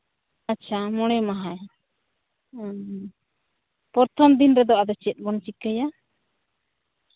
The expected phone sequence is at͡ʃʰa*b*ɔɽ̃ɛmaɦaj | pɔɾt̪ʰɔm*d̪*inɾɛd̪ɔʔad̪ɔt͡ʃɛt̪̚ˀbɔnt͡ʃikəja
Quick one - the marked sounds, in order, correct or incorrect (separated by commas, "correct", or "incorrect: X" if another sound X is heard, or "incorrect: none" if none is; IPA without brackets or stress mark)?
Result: incorrect: m, correct